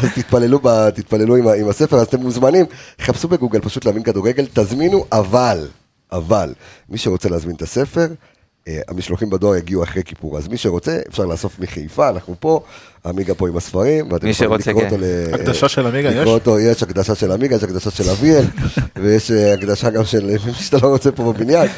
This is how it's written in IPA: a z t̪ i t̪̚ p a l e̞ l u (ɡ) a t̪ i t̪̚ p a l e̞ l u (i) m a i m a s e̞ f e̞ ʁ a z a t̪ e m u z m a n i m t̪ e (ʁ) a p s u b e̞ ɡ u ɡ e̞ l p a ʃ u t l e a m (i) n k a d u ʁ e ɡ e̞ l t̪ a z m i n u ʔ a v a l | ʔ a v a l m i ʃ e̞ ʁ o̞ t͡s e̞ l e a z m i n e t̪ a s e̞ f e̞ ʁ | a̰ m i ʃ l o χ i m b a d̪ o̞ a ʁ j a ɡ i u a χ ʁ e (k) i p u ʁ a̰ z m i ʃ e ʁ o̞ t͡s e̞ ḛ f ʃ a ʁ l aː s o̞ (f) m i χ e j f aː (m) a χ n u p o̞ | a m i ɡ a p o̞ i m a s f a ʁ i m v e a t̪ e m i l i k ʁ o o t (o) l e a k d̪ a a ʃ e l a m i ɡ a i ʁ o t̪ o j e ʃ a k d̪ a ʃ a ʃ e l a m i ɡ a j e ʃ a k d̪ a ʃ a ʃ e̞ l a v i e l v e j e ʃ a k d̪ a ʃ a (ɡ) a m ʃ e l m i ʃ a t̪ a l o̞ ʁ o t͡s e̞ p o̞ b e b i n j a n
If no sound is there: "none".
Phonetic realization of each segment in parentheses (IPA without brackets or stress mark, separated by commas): b, i, χ, i, k, f, n, o, ɡ